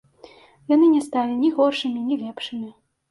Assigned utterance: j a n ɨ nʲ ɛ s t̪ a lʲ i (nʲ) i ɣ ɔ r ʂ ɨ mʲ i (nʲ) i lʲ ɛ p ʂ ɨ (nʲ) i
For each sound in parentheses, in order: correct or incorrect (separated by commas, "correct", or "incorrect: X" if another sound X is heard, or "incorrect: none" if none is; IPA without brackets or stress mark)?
correct, correct, incorrect: mʲ